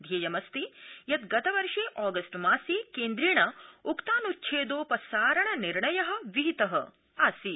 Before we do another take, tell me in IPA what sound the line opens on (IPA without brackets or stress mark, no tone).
d̪ʱ